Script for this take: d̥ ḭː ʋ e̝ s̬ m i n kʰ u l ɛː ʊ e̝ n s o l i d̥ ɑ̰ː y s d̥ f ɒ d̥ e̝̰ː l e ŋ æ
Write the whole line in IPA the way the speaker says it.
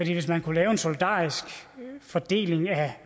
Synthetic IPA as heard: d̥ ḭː ʋ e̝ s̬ m æ n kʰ u l ɛː ʊ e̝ n s o l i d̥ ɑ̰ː i s ɡ̥ f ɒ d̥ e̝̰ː l e ŋ æ

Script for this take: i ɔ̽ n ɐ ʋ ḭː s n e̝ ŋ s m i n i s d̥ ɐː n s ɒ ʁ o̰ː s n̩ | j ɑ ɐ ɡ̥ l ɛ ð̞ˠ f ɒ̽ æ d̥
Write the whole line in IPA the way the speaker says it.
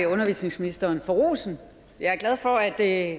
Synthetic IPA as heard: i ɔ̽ n ɐ ʋ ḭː s n e̝ ŋ s m i n i s d̥ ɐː n f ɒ ʁ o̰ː s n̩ | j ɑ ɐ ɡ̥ l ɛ ð̞ˠ f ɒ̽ æ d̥

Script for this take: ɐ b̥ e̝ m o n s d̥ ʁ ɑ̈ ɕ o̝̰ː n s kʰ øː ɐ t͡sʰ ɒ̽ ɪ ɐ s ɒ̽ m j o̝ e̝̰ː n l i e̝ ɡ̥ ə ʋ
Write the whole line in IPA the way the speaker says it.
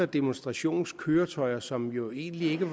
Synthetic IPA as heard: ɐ d̥ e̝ m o n s d̥ ʁ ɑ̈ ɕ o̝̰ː n s kʰ øː ɐ t͡sʰ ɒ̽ ɪ ɐ s ɒ̽ m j o̝ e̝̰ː n l i e̝ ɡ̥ ə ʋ

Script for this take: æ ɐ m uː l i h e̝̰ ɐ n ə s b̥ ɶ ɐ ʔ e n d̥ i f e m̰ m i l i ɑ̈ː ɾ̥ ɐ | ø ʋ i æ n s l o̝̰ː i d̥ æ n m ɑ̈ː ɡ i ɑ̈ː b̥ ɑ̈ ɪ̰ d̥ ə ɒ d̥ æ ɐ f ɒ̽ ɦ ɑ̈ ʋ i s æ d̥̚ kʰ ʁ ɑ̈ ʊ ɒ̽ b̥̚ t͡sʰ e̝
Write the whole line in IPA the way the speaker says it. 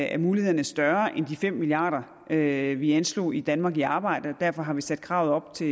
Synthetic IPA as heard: æ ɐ m uː l i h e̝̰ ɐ n ə s d̥ ɶ ɐ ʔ e n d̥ i f e m̰ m i l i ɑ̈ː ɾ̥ ɐ | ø ʋ i æ n s l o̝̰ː i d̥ æ n m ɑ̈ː ɡ i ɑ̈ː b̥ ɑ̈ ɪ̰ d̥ ə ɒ d̥ æ ɐ f ɒ̽ ɦ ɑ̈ ʋ i s æ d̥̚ kʰ ʁ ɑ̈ ʊ ɒ̽ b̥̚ t͡sʰ e̝

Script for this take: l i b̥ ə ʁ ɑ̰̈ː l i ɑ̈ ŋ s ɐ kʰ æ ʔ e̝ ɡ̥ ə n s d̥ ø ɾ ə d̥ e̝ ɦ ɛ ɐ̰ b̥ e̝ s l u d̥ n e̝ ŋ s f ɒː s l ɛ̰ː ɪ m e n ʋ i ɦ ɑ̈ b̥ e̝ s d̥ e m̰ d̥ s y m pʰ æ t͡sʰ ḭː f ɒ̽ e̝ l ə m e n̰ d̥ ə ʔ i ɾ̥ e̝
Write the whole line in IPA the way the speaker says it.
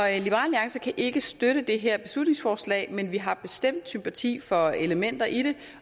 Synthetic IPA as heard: l i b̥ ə ʁ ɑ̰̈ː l i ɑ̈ ŋ s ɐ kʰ æ ʔ e̝ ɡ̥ ə s d̥ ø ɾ ə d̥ e̝ ɦ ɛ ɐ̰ b̥ e̝ s l u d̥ n e̝ ŋ s f ɒː s l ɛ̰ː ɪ m e n ʋ i ɦ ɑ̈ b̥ e̝ s d̥ e m̰ d̥ s y m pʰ æ t͡sʰ ḭː f ɒ̽ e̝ l ə m e n̰ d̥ ɐ ʔ i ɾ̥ e̝

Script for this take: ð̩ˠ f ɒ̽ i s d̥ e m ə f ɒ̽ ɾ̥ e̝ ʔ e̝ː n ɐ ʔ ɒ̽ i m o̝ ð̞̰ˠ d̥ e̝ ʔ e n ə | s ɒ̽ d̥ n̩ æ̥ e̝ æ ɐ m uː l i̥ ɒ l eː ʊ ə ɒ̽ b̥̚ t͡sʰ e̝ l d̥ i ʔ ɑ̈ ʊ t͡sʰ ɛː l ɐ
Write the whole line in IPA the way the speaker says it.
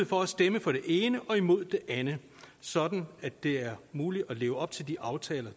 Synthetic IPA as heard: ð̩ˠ f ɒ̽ æ s d̥ e m ə f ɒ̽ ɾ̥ e̝ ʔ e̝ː n ə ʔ ɒ̽ i m o̝ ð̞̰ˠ d̥ e̝ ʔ æ n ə | s ɒ̽ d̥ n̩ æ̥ e̝ æ ɐ m uː l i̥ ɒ l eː ʊ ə ɒ̽ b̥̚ t͡sʰ e̝ l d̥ i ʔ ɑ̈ ʊ t͡sʰ ɛː l ɐ

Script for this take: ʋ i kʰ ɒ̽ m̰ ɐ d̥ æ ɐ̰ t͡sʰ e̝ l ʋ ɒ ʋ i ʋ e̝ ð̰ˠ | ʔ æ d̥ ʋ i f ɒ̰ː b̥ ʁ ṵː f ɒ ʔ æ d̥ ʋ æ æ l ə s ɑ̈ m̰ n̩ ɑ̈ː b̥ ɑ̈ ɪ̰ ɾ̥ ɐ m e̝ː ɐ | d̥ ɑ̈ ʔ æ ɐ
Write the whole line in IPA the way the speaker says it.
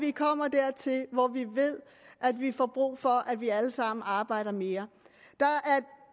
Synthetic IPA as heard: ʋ i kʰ ɒ̽ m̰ ɐ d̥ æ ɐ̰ t͡sʰ e̝ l ʋ ɒ ʋ i ʋ e̝ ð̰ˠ | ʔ æ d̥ ʋ i f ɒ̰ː b̥ ʁ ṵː f ɒ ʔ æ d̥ ʋ i æ l ə s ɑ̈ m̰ n̩ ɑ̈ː b̥ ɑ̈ ɪ̰ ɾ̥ ɐ m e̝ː ɐ | d̥ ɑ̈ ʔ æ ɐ

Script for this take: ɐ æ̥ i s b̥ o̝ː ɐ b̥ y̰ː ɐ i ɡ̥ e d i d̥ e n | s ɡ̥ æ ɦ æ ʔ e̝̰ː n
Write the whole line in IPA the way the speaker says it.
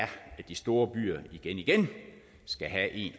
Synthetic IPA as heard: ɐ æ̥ i s d̥ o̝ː ɐ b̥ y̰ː ɐ i ɡ̥ e n i ɡ̥ e n | s ɡ̥ æ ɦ æ ʔ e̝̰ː n

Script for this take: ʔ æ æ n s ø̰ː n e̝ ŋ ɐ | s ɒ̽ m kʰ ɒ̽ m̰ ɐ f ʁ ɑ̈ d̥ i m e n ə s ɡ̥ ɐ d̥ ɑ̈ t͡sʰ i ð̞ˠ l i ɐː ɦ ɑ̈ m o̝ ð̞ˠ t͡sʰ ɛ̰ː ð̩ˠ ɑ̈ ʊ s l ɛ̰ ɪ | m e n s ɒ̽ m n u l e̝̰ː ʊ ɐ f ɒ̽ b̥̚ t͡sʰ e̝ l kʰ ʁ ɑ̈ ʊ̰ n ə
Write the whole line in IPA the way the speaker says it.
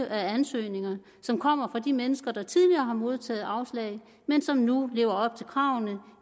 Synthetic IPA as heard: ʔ æ æ n s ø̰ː n e̝ ŋ ɐ | s ɒ̽ m kʰ ɒ̽ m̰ ɐ f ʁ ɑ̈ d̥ i m e n ə s ɡ̥ ɐ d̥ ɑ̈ t͡sʰ i ð̞ˠ l i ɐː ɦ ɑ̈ m o̝ ð̞ˠ t͡sʰ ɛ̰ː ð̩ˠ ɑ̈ ʊ s l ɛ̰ ɪ | m e n s ɒ̽ m n u l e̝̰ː ʊ ɐ ɒ̽ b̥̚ t͡sʰ e̝ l kʰ ʁ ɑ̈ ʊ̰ n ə

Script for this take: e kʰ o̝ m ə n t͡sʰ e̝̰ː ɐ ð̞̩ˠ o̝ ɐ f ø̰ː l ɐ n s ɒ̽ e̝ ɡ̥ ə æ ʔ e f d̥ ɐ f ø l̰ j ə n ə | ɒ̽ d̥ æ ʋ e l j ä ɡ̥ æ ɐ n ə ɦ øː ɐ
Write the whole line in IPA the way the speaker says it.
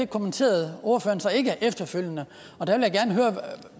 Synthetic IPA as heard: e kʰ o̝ m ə n t͡sʰ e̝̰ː ɐ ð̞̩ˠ o̝ ɐ f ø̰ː ɐ n s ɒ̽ e̝ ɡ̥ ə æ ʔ e f d̥ ɐ f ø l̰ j ə n ə | ɒ̽ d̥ æ ʋ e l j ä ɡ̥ æ ɐ n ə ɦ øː ɐ

